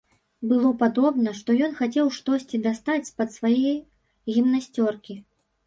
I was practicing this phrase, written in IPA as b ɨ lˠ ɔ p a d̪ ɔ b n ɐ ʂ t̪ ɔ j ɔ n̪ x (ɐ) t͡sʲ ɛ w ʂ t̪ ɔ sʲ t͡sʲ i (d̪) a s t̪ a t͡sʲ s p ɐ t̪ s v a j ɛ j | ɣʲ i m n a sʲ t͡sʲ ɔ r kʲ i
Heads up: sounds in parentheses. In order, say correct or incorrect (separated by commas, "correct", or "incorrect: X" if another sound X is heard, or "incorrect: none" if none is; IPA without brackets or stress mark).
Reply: incorrect: a, correct